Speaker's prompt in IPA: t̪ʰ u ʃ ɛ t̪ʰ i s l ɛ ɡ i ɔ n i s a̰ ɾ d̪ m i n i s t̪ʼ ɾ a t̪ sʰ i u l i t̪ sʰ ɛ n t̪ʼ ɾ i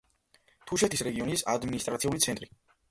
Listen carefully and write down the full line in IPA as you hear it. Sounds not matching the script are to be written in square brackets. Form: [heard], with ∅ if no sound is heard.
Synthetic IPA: t̪ʰ u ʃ ɛ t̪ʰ i s [ɾ] ɛ ɡ i ɔ n i s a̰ [∅] d̪ m i n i s t̪ʼ ɾ a t̪ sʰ i u l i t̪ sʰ ɛ n t̪ʼ ɾ i